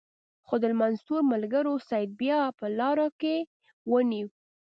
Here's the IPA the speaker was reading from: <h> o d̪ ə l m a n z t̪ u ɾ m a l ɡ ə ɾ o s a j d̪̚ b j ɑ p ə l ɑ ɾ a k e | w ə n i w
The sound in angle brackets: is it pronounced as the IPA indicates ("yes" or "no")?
no